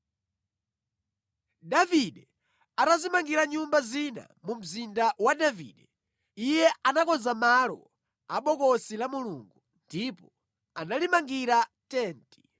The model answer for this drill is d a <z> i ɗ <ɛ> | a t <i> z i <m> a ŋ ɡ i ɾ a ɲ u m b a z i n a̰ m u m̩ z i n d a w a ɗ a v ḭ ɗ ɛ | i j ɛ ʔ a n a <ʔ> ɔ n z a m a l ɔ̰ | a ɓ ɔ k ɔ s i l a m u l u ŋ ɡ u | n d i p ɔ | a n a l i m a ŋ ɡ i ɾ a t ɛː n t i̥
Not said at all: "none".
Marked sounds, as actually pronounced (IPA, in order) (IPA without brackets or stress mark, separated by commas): v, ɛ, a, m, k